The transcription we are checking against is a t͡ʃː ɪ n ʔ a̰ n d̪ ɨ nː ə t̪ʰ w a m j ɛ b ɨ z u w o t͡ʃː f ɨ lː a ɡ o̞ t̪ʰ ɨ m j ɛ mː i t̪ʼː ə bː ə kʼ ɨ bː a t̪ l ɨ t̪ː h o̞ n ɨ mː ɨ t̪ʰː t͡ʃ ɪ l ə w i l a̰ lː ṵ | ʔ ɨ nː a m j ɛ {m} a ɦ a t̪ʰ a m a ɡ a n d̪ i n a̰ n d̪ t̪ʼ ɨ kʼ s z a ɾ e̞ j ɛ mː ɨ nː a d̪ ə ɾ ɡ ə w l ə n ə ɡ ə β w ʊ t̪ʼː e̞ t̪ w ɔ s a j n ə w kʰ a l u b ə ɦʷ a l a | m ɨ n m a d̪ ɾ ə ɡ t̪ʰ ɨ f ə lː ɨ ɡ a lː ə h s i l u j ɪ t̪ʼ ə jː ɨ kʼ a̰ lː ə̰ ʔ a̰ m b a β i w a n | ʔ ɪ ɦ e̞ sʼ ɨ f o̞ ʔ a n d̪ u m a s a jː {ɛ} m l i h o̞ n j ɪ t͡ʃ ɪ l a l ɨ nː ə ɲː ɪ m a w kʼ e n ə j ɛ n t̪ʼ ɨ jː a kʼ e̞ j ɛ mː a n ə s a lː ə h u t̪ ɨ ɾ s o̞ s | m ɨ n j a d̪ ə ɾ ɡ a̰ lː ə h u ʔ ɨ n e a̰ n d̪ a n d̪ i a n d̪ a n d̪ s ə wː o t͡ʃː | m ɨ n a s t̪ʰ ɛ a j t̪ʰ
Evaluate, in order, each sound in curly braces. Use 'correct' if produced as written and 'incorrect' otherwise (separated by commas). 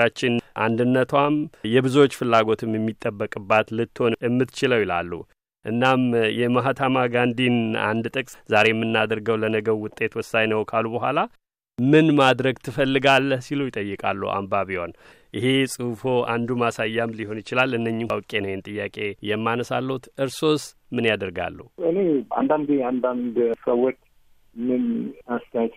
correct, incorrect